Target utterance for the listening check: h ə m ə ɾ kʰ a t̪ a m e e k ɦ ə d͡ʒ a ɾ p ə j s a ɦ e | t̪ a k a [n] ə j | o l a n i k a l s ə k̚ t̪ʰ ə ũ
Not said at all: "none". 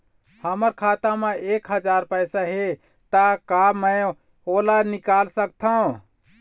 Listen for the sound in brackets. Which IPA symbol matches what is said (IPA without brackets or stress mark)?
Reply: m